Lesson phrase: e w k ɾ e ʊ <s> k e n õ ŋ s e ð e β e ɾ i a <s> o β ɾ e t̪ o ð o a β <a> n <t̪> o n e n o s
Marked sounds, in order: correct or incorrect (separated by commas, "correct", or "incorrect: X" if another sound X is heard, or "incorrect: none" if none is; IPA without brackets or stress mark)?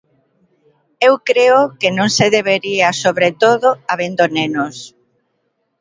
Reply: incorrect: none, correct, incorrect: e, incorrect: d̪